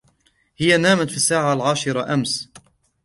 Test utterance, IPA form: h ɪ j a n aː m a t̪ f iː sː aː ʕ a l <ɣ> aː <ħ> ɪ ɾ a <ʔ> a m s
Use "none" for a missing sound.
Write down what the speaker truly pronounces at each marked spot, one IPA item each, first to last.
ʕ, ʃ, ʔ

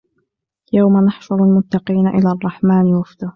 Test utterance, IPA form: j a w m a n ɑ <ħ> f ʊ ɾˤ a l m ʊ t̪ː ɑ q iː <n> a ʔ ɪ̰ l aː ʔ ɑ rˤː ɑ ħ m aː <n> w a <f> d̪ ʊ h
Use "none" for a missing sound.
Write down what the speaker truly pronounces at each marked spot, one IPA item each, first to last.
ħ, n, n, f

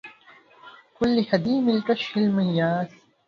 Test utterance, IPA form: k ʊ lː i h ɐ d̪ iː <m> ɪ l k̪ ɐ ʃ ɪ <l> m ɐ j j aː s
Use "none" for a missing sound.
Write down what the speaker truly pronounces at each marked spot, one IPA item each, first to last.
m, l

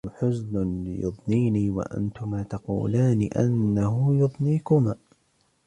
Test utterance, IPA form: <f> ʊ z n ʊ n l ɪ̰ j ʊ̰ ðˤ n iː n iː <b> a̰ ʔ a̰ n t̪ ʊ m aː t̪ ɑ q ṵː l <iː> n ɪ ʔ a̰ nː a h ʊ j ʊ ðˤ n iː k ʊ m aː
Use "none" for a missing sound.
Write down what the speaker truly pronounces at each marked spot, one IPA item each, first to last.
ħ, w, aː

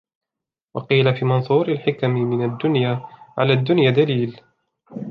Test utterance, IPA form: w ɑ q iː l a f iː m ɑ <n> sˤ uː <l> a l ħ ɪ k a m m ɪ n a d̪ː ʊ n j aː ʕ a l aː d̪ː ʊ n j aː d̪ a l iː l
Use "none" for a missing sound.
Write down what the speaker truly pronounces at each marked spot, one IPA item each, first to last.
n, ɾ

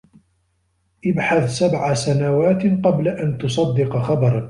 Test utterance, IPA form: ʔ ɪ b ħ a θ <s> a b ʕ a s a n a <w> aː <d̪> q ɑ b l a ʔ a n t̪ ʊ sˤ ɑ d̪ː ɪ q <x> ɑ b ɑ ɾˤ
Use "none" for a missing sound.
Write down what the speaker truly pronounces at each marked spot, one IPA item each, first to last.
s, w, t̪, x

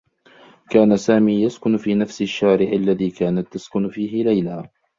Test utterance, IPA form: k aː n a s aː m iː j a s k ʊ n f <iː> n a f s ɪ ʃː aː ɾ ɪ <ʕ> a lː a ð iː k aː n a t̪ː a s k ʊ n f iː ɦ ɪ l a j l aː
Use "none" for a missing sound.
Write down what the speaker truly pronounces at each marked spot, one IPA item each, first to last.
iː, ʕ

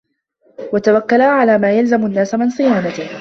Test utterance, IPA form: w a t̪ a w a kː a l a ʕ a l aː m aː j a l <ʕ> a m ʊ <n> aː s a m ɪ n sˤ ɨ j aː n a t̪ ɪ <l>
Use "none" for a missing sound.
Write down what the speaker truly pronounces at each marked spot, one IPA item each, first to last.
z, nː, none

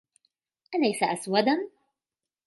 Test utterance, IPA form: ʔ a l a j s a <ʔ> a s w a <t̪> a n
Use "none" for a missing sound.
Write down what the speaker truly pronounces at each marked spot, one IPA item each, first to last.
ʔ, d̪

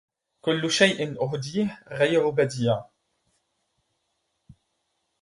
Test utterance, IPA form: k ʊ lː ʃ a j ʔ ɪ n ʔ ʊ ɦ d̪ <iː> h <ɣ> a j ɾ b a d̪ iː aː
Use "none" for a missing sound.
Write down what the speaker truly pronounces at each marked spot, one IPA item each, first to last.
iː, ɣ

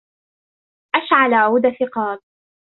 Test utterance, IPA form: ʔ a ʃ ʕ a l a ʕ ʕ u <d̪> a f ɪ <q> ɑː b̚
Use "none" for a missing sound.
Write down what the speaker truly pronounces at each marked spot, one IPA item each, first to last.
d̪, q

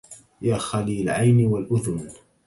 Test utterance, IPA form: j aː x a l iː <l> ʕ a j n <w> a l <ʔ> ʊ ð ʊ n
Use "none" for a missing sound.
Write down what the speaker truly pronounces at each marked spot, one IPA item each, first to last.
l, w, ʔ

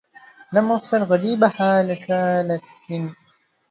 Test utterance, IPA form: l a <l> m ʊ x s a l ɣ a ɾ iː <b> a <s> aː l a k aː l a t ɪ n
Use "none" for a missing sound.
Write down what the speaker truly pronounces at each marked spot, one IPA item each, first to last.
none, b, ħ

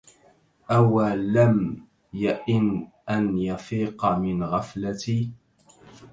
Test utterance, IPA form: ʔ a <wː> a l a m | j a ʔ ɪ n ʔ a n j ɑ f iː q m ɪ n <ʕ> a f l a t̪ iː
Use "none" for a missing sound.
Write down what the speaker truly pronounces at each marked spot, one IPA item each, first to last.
w, ɣ

